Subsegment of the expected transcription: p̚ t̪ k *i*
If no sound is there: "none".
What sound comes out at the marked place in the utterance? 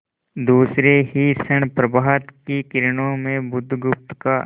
a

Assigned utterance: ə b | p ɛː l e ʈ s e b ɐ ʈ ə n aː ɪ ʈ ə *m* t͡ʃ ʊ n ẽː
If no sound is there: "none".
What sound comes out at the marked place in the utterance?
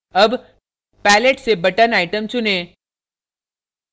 m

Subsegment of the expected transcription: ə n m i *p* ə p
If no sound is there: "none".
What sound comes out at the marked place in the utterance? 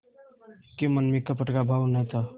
k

